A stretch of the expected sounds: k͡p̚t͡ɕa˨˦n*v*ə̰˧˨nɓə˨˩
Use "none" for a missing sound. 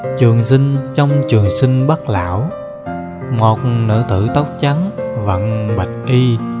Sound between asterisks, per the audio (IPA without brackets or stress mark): v